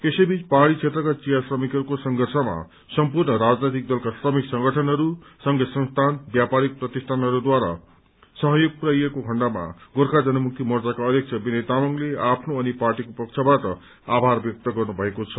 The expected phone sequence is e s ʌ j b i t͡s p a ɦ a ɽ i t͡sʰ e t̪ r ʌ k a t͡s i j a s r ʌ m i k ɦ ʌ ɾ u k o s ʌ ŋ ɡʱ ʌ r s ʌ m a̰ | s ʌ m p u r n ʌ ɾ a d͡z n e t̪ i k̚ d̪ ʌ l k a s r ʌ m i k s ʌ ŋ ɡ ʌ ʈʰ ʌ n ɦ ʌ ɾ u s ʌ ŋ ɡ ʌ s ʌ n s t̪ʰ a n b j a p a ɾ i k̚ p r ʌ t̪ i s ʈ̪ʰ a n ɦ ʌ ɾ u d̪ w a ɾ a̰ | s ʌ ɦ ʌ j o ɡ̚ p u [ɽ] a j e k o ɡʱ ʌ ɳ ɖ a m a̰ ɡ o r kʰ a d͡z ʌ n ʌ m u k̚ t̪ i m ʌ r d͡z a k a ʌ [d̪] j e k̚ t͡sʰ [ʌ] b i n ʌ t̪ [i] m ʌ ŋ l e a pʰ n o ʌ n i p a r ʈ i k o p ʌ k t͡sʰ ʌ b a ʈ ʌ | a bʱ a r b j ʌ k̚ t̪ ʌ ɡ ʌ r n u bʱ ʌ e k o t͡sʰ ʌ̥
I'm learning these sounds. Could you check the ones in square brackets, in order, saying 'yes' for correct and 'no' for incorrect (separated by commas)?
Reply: no, yes, yes, no